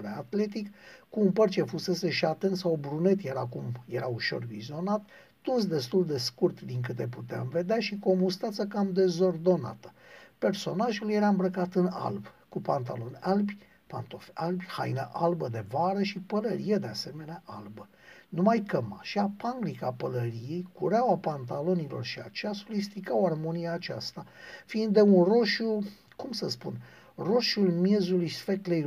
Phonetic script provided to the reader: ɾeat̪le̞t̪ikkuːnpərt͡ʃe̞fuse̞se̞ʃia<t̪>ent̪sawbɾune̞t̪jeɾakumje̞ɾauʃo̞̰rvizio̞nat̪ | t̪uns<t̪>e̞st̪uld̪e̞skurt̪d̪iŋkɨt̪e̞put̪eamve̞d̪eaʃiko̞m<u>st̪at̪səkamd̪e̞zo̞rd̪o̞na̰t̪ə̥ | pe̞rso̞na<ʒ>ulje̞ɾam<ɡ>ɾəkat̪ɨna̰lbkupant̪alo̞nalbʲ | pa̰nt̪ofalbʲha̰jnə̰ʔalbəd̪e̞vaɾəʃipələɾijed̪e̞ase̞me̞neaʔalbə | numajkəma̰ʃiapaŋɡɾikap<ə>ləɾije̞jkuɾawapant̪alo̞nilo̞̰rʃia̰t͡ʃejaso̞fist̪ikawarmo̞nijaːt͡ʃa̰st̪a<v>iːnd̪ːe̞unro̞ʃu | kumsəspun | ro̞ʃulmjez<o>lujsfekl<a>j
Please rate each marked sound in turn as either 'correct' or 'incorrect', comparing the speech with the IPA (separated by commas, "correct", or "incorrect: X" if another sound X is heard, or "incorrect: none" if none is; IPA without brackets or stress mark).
correct, incorrect: d̪, correct, correct, incorrect: b, correct, incorrect: f, incorrect: u, incorrect: e